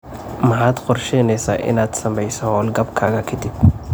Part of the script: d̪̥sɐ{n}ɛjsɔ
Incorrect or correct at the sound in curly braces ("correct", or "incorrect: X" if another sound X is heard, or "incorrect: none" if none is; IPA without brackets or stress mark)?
incorrect: m